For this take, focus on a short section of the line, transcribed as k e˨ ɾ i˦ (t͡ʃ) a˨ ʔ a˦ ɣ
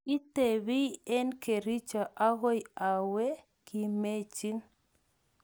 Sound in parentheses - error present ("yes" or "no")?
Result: no